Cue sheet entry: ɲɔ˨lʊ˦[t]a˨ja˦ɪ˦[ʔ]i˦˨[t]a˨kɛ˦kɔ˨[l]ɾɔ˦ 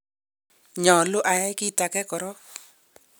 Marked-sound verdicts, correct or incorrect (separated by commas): incorrect, incorrect, correct, incorrect